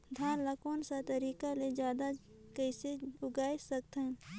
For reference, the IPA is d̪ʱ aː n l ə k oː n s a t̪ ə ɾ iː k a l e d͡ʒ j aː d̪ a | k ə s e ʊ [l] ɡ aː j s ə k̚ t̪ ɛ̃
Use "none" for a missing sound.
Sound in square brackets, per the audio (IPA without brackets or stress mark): none